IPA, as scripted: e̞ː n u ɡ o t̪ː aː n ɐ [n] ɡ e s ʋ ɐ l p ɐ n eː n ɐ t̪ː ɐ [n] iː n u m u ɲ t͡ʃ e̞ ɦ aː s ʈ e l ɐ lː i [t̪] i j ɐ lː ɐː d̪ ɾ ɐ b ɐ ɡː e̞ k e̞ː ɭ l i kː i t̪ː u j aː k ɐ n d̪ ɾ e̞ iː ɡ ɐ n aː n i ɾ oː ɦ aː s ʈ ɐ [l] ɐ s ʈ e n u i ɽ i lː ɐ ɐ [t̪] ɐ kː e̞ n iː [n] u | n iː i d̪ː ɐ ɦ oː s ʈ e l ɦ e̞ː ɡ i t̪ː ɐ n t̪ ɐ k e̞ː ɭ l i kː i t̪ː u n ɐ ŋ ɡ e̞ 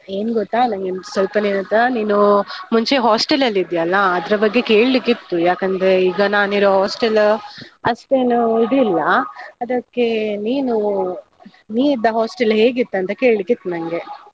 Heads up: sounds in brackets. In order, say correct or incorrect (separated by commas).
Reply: incorrect, correct, incorrect, correct, incorrect, correct